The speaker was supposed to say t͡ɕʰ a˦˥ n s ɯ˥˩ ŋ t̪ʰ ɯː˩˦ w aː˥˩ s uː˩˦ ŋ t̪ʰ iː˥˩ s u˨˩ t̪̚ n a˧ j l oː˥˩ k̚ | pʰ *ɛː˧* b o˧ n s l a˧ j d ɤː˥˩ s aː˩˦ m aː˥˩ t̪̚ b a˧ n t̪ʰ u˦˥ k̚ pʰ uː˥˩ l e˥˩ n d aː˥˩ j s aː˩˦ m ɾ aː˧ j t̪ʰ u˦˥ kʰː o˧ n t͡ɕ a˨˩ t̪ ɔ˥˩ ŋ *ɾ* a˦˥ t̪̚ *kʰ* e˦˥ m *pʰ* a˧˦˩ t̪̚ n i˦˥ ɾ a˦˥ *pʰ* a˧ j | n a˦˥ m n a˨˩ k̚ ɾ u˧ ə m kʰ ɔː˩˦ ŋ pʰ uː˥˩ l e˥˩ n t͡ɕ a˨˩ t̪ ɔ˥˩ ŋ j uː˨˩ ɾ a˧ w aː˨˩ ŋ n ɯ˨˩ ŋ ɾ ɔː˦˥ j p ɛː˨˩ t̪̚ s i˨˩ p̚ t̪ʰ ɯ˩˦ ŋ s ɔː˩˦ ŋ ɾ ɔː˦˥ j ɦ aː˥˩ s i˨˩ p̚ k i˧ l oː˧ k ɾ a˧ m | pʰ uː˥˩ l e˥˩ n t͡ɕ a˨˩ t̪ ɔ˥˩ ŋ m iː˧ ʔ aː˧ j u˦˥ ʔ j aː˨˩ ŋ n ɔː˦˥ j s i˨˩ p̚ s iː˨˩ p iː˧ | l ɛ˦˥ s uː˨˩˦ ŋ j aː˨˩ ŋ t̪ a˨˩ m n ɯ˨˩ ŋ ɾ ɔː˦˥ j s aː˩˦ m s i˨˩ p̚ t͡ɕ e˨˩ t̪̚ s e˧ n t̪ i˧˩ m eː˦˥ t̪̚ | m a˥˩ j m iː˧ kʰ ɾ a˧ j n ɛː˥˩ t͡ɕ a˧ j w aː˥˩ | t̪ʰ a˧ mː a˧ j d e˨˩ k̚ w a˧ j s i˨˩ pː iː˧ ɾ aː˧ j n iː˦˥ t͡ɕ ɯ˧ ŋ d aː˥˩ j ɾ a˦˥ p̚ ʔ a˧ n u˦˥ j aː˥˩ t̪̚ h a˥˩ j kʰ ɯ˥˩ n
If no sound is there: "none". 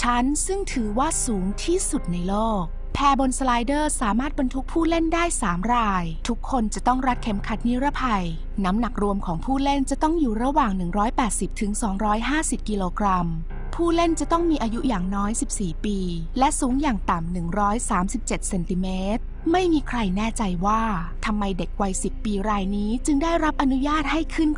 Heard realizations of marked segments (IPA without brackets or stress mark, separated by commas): ɛː˧, ɾ, kʰ, kʰ, pʰ